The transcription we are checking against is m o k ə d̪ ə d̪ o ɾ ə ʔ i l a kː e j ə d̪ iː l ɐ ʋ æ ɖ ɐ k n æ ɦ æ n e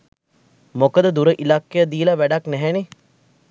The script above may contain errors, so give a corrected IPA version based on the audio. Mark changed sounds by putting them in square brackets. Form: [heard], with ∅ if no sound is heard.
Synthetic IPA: m o k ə d̪ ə d̪ [u] ɾ ə ʔ i l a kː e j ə d̪ iː l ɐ ʋ æ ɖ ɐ k n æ ɦ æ n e

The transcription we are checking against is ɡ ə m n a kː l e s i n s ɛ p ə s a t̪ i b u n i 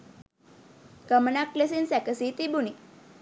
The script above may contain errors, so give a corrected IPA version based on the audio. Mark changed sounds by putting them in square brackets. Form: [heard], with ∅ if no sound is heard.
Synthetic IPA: [k] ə m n a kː l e s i n s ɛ [k] ə s [i] t̪ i b u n i

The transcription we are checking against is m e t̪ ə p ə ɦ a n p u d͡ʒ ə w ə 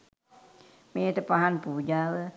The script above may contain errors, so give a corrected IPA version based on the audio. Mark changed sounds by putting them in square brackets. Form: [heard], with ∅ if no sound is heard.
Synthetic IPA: m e t̪ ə p [a] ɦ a n p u d͡ʒ [a] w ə

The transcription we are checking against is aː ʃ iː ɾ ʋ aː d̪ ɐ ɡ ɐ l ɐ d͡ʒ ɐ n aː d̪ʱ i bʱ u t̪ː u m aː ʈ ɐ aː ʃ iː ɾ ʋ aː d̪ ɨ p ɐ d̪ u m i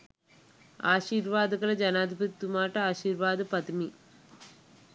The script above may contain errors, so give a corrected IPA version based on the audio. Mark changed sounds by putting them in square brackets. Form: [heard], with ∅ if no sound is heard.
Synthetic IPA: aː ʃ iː ɾ ʋ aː d̪ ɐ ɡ ɐ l ɐ d͡ʒ ɐ n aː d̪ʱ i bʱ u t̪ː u m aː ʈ ɐ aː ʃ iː ɾ ʋ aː d̪ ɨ p ɐ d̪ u m i

